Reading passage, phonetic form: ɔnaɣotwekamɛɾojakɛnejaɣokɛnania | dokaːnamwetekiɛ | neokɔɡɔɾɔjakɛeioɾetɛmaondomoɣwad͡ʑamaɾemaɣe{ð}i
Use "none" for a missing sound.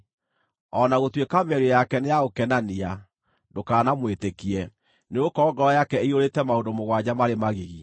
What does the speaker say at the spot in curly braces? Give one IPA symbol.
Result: ɣ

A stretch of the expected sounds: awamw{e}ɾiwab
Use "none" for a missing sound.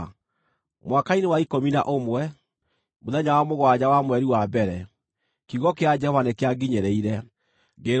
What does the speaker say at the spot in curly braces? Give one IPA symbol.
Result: ɛ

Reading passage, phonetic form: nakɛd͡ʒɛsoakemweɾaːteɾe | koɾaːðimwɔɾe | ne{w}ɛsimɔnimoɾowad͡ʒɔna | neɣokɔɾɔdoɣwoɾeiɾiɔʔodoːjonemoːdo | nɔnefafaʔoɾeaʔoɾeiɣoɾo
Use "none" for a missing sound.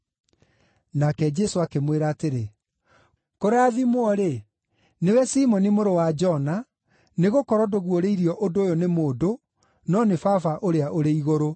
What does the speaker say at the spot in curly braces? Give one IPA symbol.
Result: w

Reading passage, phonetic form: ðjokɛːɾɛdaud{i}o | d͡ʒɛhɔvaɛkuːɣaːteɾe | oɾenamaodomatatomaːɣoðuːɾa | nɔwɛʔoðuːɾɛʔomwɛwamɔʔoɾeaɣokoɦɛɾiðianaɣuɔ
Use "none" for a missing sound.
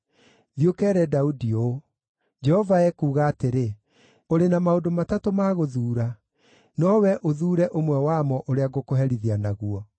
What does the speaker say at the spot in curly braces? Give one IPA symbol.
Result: i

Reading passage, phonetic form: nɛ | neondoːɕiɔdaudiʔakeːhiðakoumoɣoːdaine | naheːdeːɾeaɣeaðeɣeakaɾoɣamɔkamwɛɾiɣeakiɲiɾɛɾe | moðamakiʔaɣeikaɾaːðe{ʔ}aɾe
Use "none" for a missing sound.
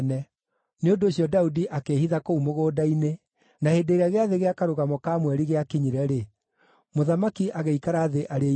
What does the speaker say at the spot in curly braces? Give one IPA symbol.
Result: ʔ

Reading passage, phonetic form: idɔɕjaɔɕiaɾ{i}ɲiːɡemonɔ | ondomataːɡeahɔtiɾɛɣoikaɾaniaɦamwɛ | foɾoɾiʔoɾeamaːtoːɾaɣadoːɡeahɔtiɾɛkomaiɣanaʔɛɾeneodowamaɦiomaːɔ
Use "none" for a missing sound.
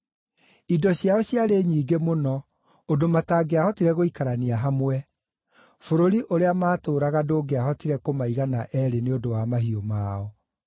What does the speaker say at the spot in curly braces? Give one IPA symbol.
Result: e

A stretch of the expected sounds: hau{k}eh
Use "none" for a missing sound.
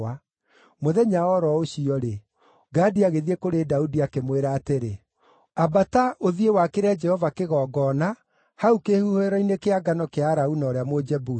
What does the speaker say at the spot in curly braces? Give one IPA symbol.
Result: k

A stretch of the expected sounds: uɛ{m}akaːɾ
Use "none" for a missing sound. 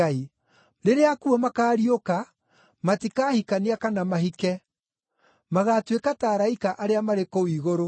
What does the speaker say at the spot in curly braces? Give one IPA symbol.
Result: m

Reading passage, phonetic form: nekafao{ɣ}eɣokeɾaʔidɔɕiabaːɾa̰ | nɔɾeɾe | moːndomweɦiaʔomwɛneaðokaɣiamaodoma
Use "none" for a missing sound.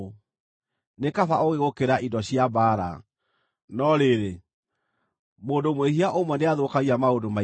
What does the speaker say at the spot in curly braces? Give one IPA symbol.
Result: ɣ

